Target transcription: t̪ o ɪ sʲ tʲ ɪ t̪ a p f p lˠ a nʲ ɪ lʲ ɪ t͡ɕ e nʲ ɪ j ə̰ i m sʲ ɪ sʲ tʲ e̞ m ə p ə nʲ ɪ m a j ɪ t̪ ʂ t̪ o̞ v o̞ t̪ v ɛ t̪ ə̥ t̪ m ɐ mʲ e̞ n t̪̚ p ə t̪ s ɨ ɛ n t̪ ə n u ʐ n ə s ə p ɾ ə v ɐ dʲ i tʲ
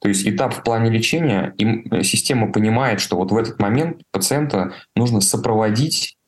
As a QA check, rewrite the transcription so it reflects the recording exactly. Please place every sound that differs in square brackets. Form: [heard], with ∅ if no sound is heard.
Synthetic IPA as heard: t̪ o ɪ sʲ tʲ ɪ t̪ a p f p lˠ a nʲ ɪ lʲ ɪ t͡ɕ e nʲ ɪ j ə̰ i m sʲ ɪ sʲ tʲ e̞ m ə p ə nʲ ɪ m a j ɪ t̪ ʂ t̪ o̞ v o̞ t̪ v ɛ t̪ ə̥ t̪ m ɐ mʲ e̞ n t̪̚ p ə t̪ s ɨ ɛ n t̪ ə n u ʐ n ə s ə p ɾ ə v ɐ dʲ i tʲ